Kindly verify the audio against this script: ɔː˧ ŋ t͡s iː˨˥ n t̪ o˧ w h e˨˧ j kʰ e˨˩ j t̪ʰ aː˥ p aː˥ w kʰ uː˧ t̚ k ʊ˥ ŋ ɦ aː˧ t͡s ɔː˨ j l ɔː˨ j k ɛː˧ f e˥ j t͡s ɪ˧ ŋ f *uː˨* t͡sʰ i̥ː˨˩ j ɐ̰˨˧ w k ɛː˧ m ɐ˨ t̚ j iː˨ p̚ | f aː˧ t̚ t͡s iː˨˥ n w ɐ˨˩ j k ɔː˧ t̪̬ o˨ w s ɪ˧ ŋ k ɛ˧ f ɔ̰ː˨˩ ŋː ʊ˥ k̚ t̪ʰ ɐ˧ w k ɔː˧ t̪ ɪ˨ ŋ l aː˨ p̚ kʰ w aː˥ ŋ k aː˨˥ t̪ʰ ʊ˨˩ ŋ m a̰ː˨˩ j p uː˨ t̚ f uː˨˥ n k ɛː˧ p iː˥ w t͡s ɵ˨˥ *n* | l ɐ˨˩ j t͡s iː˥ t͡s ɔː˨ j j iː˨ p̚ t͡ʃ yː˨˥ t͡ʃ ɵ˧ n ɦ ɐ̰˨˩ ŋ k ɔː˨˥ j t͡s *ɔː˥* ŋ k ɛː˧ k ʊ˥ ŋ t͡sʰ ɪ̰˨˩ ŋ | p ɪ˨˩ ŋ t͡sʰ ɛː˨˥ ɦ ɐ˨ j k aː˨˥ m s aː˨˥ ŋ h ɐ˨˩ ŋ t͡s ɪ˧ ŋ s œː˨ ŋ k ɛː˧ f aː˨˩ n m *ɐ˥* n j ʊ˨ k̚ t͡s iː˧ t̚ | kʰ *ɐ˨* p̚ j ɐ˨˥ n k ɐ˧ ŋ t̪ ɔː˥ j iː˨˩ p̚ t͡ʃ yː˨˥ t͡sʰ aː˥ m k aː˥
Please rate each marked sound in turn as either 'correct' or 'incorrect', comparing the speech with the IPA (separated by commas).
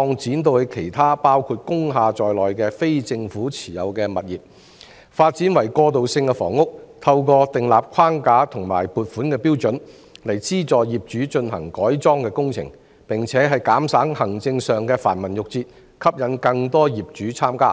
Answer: incorrect, correct, correct, incorrect, incorrect